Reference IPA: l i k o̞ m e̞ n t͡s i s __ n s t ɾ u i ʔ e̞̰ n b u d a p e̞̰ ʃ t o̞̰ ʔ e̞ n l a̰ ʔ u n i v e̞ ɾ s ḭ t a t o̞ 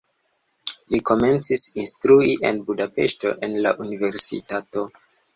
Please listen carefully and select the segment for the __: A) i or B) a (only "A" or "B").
A